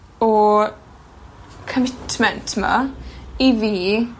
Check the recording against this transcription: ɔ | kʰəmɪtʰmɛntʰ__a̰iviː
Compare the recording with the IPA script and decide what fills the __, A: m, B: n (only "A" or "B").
A